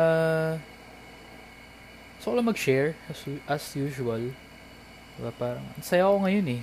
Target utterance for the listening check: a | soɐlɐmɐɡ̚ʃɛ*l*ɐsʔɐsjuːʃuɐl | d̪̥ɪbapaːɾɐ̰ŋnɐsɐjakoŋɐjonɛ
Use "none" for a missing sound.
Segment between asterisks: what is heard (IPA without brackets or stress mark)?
ɹ